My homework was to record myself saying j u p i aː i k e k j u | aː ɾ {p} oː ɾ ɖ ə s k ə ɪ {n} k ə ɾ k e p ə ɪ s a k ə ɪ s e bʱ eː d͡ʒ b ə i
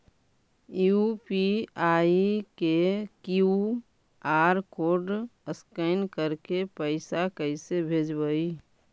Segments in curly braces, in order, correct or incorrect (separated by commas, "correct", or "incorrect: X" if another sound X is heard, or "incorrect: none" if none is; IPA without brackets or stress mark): incorrect: k, correct